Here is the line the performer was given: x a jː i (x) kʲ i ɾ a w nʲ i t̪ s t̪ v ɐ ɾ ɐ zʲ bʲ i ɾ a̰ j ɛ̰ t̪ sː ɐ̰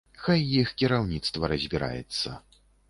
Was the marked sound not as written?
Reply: no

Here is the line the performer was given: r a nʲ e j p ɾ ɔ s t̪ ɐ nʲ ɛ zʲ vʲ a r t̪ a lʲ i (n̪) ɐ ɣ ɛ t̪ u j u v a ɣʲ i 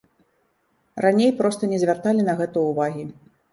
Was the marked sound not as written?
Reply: no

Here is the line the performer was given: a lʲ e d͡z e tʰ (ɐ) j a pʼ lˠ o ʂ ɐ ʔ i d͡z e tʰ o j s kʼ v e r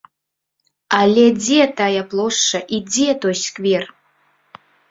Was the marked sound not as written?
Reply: yes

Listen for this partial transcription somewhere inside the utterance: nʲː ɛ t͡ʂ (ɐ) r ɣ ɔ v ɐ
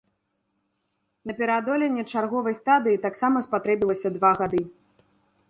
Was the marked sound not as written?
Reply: yes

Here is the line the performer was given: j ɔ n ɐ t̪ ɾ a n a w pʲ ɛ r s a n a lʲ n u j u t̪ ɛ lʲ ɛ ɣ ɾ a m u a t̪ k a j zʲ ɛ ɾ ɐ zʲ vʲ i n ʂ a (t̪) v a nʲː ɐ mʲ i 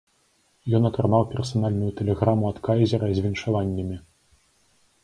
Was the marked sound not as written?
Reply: yes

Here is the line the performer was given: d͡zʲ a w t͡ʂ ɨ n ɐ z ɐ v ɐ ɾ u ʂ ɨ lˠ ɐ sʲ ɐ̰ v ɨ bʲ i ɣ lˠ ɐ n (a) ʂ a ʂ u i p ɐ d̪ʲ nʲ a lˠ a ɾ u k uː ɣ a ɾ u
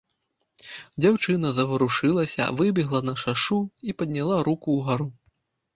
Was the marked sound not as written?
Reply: yes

